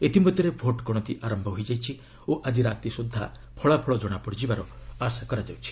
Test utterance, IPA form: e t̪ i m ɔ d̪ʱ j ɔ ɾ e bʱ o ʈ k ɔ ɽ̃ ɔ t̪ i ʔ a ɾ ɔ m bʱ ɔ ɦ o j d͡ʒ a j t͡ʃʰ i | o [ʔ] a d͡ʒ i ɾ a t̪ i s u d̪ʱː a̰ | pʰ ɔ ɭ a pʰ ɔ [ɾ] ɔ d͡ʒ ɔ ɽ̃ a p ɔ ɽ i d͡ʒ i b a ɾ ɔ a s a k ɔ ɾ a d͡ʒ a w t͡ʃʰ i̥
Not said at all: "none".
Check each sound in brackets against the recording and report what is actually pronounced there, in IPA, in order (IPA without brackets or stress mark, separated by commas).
ʔ, ɭ